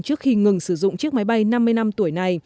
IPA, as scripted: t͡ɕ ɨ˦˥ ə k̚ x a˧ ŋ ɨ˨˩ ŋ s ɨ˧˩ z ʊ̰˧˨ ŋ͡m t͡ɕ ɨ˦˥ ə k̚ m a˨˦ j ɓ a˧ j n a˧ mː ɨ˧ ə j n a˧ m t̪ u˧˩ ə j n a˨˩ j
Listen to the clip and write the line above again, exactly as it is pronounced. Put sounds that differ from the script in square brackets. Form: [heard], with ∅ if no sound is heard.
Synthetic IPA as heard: t͡ɕ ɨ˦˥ ə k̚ x [i˧] ŋ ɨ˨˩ ŋ s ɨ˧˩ z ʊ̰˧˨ ŋ͡m t͡ɕ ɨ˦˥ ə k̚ m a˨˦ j ɓ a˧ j n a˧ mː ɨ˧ ə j n a˧ m t̪ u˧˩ ə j n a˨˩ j

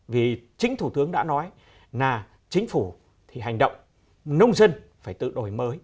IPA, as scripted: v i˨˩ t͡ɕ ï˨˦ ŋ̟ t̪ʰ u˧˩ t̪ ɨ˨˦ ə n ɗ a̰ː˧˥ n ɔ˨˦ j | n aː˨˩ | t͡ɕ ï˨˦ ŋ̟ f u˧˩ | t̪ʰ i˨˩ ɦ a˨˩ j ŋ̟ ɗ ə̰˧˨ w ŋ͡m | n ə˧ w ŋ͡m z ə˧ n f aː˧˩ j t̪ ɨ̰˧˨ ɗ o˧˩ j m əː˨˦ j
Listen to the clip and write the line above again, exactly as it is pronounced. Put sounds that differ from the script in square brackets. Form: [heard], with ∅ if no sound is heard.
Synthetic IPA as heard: v i˨˩ t͡ɕ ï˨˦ ŋ̟ t̪ʰ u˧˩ t̪ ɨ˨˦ ə [ŋ] ɗ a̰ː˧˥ n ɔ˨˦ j | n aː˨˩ | t͡ɕ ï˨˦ ŋ̟ f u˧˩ | t̪ʰ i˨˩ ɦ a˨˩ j ŋ̟ ɗ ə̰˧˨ w ŋ͡m | n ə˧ w ŋ͡m z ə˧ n f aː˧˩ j t̪ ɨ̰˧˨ ɗ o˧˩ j m əː˨˦ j

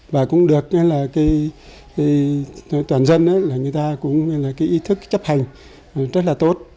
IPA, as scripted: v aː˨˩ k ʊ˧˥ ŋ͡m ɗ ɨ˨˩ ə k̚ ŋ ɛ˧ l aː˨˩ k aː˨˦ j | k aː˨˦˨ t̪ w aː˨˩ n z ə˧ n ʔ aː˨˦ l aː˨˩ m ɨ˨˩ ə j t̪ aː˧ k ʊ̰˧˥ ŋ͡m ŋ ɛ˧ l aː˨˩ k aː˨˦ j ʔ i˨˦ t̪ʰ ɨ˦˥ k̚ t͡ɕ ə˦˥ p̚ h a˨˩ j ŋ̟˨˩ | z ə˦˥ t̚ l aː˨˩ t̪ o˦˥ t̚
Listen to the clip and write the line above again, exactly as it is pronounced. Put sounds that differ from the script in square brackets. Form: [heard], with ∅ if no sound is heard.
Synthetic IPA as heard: v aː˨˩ k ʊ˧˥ ŋ͡m ɗ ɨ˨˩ ə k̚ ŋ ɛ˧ l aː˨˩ k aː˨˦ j | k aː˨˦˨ t̪ w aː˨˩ n z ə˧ n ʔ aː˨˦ l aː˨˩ [ŋ] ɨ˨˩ ə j t̪ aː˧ k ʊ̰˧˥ ŋ͡m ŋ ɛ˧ l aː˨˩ k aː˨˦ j ʔ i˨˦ t̪ʰ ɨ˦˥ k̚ t͡ɕ ə˦˥ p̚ h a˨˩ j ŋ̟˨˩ | z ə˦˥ t̚ l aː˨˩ t̪ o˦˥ t̚

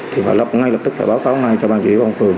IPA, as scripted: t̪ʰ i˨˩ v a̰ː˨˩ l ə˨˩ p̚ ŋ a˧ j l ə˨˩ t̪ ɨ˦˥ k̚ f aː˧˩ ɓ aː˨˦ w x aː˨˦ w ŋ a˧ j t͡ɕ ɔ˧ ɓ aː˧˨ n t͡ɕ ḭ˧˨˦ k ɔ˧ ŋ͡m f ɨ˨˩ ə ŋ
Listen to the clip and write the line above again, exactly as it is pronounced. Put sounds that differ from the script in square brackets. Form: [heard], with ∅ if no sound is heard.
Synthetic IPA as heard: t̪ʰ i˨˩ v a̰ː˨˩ l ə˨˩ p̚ ŋ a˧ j l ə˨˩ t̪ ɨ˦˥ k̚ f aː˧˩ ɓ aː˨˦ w [k] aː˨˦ w ŋ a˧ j t͡ɕ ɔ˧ ɓ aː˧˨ n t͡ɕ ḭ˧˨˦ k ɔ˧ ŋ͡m f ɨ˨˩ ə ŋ

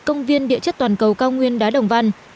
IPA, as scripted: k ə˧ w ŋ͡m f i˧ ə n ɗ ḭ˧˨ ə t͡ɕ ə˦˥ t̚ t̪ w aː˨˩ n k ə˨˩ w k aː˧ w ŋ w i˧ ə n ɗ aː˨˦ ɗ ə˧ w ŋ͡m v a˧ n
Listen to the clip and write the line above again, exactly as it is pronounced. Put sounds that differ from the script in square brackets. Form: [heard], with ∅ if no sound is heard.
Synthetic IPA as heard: k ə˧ w ŋ͡m [v] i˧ ə n ɗ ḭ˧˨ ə t͡ɕ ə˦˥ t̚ t̪ w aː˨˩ n k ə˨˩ w k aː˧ w ŋ w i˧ ə n ɗ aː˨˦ ɗ [ə˨˩] w ŋ͡m v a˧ n

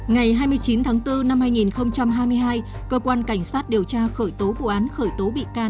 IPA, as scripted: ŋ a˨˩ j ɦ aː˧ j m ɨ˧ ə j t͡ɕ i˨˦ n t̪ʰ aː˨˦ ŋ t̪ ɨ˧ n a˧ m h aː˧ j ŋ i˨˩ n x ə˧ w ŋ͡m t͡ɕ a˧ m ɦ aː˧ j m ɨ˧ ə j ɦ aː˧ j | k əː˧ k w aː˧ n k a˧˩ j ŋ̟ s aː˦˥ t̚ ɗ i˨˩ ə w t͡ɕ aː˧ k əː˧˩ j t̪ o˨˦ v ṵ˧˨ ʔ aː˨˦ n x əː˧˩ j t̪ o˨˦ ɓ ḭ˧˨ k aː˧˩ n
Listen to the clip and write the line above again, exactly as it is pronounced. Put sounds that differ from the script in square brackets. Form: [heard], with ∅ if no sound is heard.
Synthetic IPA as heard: ŋ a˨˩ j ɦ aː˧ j m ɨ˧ ə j t͡ɕ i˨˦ n t̪ʰ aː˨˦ ŋ t̪ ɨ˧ n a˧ m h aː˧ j ŋ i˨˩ n x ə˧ w ŋ͡m t͡ɕ a˧ m ɦ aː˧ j m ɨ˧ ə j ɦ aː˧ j | k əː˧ k w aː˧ n k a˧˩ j ŋ̟ s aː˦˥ t̚ ɗ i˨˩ ə w t͡ɕ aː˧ [x] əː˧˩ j t̪ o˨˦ v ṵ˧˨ ʔ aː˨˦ n x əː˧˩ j t̪ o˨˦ ɓ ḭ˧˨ k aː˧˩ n

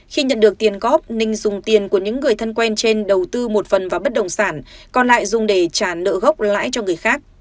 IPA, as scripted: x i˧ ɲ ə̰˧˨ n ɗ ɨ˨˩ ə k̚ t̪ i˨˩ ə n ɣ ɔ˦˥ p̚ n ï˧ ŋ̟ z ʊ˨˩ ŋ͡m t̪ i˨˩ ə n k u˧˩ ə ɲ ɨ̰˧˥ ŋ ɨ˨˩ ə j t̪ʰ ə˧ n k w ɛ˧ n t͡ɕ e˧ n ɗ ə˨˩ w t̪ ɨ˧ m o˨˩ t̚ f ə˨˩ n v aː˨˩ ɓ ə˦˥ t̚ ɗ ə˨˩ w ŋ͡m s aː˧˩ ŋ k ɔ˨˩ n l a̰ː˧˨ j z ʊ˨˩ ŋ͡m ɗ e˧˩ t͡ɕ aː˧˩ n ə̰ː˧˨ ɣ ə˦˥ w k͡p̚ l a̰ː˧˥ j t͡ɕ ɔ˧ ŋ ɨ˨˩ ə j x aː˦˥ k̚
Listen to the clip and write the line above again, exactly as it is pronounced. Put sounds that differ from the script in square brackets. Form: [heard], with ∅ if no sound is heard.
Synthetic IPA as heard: x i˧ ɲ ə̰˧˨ n ɗ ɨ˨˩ ə k̚ t̪ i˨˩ ə n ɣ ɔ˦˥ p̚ n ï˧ ŋ̟ z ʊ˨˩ ŋ͡m t̪ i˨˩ ə n k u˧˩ ə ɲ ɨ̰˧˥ [ŋː] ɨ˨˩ ə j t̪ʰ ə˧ n k w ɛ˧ n t͡ɕ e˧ n ɗ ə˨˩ w t̪ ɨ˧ m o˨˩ t̚ f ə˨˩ n v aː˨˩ ɓ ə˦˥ t̚ ɗ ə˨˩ w ŋ͡m s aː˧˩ [n] k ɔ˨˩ n l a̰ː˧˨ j z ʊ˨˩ ŋ͡m ɗ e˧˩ t͡ɕ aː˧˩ n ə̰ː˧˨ ɣ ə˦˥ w k͡p̚ l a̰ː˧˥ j t͡ɕ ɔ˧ ŋ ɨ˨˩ ə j x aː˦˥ k̚

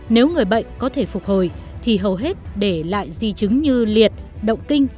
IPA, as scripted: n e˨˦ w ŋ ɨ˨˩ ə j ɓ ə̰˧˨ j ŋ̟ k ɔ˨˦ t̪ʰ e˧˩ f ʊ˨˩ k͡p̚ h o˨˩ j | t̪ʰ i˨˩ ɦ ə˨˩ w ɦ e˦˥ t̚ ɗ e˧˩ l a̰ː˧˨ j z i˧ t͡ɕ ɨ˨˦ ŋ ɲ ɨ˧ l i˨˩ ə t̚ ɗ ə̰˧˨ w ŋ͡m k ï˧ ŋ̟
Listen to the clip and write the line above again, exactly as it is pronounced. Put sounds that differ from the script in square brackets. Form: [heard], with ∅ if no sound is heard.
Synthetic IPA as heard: n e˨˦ w ŋ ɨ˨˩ ə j ɓ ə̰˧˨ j ŋ̟ k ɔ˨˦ t̪ʰ e˧˩ f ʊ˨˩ k͡p̚ h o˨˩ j | t̪ʰ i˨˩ ɦ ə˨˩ w ɦ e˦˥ t̚ ɗ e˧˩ l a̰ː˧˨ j z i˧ t͡ɕ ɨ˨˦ ŋ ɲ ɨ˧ l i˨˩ ə t̚ ɗ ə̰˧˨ w ŋ͡m k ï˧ ŋ̟

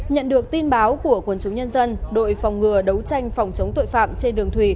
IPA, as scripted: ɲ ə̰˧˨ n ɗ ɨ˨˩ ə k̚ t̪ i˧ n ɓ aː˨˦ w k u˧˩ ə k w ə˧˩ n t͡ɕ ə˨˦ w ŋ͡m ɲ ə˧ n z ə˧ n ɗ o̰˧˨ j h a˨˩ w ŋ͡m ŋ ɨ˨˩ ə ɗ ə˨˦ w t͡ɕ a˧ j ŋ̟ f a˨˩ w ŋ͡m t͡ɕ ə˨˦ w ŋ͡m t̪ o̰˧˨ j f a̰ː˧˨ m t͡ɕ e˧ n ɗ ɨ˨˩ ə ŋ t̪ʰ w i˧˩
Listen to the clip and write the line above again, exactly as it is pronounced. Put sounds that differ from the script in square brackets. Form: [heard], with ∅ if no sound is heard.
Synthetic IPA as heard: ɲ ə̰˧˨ n ɗ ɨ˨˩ ə k̚ t̪ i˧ n ɓ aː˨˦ w k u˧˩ ə k w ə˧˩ n t͡ɕ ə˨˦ w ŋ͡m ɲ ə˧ n z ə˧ n ɗ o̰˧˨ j [f] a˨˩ w ŋ͡m ŋ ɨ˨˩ ə ɗ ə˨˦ w t͡ɕ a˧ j ŋ̟ f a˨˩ w ŋ͡m t͡ɕ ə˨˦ w ŋ͡m t̪ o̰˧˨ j f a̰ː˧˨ m t͡ɕ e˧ n ɗ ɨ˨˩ ə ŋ t̪ʰ w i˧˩

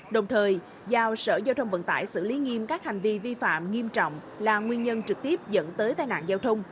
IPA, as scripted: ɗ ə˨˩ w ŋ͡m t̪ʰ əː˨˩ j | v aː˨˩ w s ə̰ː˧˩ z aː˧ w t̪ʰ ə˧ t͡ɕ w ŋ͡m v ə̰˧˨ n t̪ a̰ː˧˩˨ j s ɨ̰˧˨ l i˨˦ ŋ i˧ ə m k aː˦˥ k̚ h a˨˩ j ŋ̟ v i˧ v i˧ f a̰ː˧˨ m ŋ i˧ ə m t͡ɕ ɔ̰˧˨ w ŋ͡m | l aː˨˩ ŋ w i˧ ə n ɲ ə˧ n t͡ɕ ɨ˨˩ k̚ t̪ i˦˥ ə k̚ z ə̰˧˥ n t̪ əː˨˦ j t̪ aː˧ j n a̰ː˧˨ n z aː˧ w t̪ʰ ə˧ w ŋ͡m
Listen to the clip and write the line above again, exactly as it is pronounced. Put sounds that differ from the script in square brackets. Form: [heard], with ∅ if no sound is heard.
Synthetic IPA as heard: ɗ ə˨˩ w ŋ͡m t̪ʰ əː˨˩ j | [z] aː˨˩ w s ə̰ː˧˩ z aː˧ w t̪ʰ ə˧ [∅] w ŋ͡m v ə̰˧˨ n t̪ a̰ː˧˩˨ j s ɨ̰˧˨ l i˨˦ ŋ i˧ ə m k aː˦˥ k̚ h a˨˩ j ŋ̟ v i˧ v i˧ f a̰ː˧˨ m ŋ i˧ ə m t͡ɕ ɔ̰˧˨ w ŋ͡m | l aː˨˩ ŋ w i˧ ə n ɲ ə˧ n t͡ɕ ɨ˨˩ k̚ t̪ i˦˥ ə [p̚] z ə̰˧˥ n t̪ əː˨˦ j t̪ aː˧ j n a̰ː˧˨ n z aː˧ w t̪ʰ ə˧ w ŋ͡m

